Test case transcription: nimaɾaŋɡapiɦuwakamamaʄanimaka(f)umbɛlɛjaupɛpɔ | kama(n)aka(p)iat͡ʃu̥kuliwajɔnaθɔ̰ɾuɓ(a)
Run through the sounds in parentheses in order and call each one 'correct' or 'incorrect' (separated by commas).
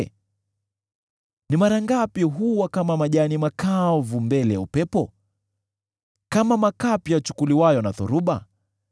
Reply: incorrect, incorrect, correct, correct